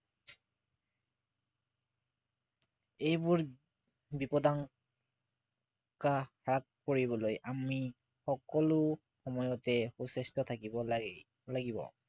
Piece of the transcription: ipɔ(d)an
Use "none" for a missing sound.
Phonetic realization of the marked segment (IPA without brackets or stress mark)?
d